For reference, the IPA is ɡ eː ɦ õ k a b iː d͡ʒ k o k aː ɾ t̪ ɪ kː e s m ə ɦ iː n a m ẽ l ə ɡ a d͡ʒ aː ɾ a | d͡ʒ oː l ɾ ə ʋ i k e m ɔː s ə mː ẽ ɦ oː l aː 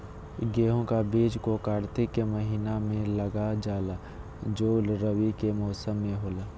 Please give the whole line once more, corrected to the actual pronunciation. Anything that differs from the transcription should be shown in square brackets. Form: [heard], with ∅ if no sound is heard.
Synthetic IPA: ɡ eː ɦ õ k a b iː d͡ʒ k o k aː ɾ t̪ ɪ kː e [∅] m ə ɦ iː n a m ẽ l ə ɡ a d͡ʒ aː [l] a | d͡ʒ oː l ɾ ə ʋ i k e m ɔː s ə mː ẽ ɦ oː l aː